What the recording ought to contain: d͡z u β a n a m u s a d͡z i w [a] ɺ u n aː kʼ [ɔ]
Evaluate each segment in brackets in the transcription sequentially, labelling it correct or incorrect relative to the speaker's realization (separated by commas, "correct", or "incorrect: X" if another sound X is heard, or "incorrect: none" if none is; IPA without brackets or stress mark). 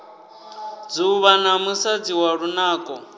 correct, correct